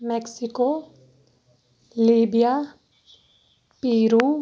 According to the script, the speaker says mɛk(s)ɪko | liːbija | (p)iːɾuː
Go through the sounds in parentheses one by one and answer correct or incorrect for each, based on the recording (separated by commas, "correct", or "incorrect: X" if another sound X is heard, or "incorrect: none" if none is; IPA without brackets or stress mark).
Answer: correct, correct